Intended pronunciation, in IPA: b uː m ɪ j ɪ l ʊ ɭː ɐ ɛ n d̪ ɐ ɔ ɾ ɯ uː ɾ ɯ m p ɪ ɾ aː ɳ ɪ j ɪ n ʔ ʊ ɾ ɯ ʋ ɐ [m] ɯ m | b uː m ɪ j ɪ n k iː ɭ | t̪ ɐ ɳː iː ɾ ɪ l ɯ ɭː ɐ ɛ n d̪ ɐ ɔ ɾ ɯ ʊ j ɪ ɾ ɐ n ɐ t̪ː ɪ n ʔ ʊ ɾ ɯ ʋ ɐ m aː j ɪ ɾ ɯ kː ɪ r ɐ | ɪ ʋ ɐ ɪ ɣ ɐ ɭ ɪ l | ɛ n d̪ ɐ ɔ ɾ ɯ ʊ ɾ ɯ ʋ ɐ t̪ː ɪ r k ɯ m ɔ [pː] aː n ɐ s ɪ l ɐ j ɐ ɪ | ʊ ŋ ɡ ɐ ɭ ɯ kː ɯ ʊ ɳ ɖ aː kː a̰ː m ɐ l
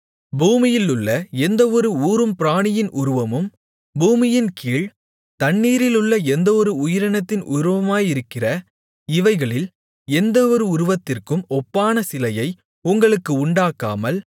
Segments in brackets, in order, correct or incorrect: correct, correct

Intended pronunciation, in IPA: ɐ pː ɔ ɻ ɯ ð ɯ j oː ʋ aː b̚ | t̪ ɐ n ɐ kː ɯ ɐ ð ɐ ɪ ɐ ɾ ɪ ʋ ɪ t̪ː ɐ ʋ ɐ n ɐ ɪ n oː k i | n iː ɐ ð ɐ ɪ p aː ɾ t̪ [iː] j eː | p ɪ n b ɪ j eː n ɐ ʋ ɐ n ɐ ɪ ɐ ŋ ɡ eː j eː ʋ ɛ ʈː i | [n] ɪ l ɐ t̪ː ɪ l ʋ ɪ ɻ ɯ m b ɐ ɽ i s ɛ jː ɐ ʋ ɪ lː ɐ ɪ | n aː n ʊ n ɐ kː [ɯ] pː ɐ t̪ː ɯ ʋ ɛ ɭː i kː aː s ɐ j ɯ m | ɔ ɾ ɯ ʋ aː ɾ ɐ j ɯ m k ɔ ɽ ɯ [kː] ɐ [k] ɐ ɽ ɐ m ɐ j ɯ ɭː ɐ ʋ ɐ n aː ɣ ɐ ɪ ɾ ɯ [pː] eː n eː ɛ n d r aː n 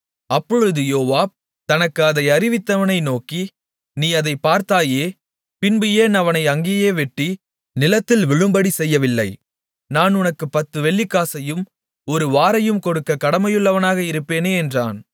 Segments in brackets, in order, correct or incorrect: incorrect: aː, correct, correct, correct, correct, correct

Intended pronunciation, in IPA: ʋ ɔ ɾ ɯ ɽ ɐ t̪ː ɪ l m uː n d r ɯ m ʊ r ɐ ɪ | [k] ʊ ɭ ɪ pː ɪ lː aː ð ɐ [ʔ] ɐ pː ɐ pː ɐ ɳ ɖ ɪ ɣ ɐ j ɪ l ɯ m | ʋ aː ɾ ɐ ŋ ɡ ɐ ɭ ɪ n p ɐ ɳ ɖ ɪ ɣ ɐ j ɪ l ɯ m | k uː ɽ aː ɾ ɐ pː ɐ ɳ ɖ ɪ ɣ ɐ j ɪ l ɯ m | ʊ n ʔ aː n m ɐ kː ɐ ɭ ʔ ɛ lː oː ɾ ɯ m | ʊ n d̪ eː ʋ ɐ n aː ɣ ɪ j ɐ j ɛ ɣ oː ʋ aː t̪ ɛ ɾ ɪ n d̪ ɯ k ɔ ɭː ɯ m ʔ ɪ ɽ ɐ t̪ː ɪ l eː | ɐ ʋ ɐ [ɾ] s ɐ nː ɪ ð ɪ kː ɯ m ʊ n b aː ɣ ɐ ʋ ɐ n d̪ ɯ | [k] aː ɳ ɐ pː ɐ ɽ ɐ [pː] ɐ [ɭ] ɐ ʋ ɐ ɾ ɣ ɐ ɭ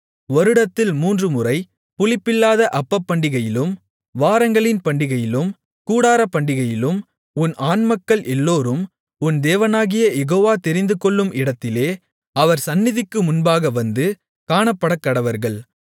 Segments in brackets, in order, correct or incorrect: incorrect: p, correct, correct, correct, incorrect: kː, incorrect: ɽ

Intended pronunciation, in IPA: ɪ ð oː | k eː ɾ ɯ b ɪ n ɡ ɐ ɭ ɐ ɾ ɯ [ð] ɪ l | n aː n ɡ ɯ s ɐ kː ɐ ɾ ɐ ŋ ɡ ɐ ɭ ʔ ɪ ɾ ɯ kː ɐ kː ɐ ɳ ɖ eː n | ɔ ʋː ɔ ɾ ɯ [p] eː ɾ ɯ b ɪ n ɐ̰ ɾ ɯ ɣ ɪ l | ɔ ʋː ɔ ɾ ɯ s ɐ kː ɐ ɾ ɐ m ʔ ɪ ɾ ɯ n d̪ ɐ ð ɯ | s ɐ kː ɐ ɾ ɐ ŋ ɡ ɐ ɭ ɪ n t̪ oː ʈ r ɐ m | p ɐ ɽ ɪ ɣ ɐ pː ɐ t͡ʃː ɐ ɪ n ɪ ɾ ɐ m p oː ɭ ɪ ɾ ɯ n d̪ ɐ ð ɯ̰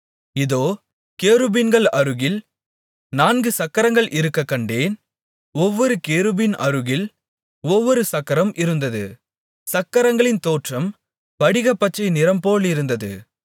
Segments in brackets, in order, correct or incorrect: incorrect: ɣ, incorrect: k

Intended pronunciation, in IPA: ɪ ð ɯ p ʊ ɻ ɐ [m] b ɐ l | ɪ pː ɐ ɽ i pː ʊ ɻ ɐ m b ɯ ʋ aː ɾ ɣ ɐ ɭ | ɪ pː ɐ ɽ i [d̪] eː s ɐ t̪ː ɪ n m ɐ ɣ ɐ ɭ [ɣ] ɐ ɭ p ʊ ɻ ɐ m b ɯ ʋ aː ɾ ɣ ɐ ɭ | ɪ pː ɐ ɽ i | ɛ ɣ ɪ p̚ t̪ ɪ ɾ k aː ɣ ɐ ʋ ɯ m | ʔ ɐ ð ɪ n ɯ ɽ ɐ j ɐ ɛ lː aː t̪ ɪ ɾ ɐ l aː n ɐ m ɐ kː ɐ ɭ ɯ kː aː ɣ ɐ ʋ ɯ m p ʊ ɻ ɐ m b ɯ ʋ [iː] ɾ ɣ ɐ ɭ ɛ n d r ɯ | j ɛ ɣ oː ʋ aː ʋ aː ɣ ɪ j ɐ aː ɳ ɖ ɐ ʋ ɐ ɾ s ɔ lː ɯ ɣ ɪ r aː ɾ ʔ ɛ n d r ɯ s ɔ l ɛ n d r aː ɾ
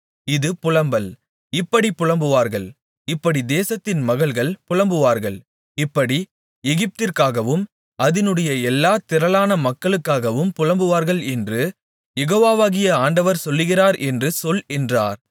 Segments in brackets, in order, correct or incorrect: correct, correct, correct, incorrect: aː

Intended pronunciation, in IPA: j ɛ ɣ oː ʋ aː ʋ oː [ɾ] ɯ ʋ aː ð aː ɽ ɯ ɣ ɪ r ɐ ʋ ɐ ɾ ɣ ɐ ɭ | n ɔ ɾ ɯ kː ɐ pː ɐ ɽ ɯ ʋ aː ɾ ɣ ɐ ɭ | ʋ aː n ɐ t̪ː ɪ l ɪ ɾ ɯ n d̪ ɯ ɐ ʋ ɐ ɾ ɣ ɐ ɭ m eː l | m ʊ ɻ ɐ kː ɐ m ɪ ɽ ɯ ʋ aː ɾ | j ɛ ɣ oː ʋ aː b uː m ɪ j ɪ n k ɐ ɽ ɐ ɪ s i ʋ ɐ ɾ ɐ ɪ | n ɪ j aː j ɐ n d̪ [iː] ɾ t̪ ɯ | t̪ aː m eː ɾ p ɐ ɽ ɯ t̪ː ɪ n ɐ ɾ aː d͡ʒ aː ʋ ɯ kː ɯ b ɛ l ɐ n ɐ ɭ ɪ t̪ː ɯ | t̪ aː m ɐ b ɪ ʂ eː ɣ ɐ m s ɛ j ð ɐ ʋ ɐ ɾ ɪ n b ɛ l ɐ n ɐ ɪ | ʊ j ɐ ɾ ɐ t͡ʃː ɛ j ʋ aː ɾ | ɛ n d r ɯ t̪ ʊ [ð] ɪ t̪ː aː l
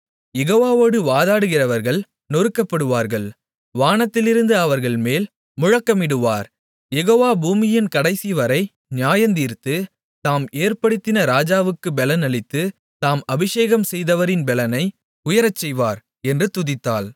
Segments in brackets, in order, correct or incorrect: incorrect: ɽ, correct, correct

